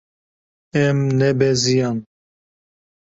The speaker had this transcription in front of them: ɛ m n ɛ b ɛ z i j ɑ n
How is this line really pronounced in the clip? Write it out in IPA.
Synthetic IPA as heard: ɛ m n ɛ b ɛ z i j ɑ n